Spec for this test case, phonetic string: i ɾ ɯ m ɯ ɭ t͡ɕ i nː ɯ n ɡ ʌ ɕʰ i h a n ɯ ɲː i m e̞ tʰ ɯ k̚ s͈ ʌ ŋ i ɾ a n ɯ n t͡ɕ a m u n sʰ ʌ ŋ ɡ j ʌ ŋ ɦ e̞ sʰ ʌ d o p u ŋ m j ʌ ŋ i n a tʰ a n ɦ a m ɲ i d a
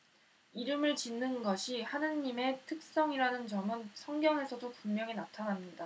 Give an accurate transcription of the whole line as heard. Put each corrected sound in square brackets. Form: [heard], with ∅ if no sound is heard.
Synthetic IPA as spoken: i ɾ ɯ m ɯ ɭ t͡ɕ i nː ɯ n ɡ ʌ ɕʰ i h a n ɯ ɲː i m e̞ tʰ ɯ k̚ s͈ ʌ ŋ i ɾ a n ɯ n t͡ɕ [ʌ] m [ɯ] n sʰ ʌ ŋ ɡ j ʌ ŋ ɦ e̞ sʰ ʌ d o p u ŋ m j ʌ ŋ i n a tʰ a n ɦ a m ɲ i d a